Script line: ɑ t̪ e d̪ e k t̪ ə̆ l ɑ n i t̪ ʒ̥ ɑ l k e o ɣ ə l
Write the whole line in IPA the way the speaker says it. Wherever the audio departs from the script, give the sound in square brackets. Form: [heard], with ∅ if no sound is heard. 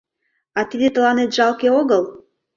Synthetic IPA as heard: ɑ t̪ [i] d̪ e [∅] t̪ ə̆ l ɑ n [e] t̪ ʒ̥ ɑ l k e o ɣ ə l